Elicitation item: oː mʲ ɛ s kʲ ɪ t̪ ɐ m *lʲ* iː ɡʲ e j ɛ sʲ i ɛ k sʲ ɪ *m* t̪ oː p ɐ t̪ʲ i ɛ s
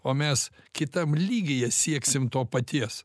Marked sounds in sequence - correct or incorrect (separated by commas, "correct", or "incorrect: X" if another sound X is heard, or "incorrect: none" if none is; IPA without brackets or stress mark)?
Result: correct, correct